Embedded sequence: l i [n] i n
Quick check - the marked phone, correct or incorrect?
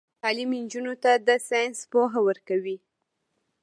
incorrect